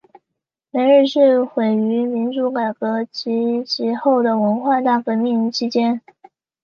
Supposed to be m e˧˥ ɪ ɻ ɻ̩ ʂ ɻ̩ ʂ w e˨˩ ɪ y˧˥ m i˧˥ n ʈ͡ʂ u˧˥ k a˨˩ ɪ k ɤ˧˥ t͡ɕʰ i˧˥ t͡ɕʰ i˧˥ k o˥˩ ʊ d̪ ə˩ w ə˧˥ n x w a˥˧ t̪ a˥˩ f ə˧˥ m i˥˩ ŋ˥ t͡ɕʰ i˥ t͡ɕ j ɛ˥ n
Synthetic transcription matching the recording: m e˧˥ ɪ ɻ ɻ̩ ʂ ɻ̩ x w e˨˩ ɪ y˧˥ m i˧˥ n ʈ͡ʂ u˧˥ k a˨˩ ɪ k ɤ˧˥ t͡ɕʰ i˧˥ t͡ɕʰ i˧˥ x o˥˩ ʊ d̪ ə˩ w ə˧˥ n x w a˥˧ t̪ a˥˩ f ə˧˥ m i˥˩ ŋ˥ t͡ɕʰ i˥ t͡ɕ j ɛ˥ n